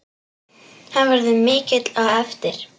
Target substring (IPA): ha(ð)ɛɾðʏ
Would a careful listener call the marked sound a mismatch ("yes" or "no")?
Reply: yes